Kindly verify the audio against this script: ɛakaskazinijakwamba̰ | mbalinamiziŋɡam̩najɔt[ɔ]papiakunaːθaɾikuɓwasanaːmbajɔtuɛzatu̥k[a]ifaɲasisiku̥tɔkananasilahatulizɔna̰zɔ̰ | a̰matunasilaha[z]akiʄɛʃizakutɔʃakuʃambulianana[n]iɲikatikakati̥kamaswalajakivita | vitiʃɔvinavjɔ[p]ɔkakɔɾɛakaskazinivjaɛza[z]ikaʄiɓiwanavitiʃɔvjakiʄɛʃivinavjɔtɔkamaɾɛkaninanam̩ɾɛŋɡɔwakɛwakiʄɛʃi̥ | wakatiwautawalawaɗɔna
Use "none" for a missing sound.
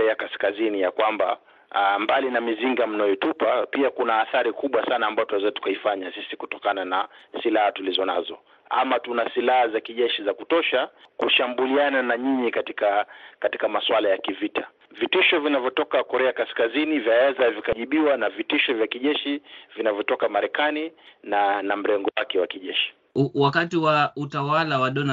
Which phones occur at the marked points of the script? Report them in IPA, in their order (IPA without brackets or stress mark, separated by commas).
u, a, z, ɲ, t, v